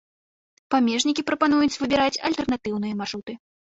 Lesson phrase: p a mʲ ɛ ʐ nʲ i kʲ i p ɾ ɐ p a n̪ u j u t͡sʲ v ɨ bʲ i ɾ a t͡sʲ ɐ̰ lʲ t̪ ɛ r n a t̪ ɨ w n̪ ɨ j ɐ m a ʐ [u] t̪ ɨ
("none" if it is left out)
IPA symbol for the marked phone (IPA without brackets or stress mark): u